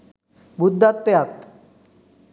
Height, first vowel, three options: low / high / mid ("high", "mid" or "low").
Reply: high